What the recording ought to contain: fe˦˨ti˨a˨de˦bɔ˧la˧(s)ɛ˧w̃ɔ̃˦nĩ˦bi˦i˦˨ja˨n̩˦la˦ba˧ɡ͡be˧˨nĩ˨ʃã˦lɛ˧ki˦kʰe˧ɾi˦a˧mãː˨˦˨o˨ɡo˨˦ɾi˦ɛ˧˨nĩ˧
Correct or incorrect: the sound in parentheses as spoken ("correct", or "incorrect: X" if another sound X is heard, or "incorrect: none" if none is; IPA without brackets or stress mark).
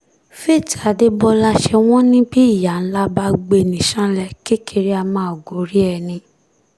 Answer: incorrect: ʃ